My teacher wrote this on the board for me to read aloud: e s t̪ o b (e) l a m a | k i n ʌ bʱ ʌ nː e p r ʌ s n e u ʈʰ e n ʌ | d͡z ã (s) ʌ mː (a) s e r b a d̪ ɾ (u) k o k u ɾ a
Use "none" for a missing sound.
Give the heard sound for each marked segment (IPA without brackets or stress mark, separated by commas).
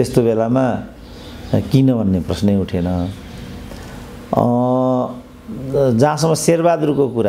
e, s, ʌ, u